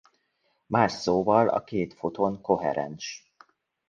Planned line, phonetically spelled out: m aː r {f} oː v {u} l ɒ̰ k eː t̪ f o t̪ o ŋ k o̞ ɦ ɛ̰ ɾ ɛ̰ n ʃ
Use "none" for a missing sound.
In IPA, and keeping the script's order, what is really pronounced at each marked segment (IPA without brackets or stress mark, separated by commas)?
s, ɒ